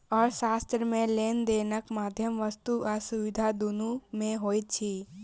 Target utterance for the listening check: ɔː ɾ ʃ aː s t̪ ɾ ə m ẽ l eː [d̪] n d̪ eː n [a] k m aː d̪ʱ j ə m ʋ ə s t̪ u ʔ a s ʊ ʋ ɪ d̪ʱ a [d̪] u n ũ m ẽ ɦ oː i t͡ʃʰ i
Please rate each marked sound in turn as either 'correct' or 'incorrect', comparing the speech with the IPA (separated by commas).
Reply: incorrect, incorrect, correct